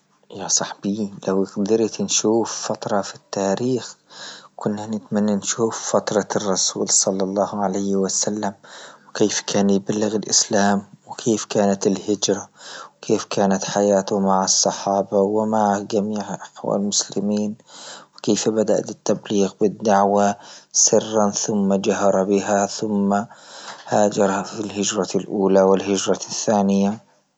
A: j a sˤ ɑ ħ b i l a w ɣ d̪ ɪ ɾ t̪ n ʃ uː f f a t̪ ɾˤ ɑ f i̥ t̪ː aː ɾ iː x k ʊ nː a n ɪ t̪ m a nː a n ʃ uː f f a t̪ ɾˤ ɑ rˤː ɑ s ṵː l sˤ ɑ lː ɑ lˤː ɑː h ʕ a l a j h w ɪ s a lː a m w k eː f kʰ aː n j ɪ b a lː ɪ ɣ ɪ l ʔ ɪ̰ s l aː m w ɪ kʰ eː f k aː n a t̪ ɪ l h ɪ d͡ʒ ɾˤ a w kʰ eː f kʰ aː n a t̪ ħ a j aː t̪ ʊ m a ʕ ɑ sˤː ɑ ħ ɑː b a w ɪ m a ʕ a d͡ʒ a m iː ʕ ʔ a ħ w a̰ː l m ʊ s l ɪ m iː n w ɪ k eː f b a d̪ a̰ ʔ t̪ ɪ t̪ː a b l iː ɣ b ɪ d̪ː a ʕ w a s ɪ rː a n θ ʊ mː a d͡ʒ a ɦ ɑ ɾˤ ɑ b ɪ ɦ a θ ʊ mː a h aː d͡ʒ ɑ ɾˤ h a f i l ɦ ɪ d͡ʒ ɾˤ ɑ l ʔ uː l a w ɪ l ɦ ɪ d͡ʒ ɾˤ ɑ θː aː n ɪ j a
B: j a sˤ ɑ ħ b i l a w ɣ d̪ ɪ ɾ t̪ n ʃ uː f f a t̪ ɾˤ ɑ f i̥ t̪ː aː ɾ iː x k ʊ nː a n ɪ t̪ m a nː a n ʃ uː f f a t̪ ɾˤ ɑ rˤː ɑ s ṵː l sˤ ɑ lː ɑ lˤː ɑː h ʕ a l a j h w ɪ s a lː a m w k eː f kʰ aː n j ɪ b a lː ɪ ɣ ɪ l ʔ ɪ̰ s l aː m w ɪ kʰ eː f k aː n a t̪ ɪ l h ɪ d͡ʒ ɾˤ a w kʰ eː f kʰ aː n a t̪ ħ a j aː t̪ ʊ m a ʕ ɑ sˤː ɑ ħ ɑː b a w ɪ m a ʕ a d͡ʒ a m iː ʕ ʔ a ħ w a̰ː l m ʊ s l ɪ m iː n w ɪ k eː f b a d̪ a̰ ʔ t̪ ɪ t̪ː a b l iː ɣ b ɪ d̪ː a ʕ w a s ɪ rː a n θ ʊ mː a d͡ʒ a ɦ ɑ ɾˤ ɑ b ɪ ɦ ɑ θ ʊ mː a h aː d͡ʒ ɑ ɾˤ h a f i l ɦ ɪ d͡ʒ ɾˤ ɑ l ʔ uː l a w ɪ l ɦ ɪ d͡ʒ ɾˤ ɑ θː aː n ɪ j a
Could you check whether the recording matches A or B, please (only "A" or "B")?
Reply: A